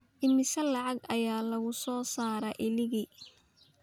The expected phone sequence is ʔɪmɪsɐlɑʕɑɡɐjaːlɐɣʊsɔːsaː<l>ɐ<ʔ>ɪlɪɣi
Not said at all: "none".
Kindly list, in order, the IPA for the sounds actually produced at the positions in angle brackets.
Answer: ɾ, ʔ

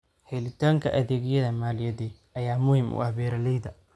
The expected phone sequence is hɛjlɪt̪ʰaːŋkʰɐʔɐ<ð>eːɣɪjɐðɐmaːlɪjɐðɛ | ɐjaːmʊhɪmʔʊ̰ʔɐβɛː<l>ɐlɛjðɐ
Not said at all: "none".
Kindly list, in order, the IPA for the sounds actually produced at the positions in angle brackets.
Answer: ð, ɾ

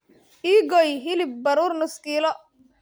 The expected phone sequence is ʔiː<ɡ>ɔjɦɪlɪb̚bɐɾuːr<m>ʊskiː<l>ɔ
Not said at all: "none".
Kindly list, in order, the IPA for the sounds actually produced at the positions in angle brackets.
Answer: ɡ, n, l

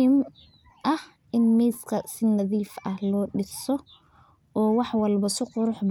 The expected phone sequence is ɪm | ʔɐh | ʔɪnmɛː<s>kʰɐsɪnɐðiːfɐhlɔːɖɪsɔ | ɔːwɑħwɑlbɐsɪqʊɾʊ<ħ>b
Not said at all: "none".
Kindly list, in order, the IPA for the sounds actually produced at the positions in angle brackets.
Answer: s, ħ

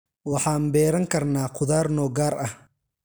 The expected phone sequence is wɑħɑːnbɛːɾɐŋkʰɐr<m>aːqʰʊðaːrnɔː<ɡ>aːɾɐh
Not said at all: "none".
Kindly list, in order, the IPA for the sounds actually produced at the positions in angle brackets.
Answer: n, ɡ

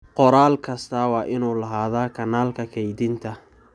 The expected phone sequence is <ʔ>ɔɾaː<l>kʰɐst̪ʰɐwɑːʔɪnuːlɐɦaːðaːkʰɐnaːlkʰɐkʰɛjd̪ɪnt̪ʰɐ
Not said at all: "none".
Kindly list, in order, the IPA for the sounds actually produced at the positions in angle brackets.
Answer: q, l

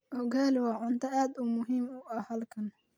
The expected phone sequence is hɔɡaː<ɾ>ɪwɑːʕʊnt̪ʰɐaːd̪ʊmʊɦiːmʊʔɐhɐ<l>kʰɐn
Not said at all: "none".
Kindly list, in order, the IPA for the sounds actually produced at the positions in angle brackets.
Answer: l, l

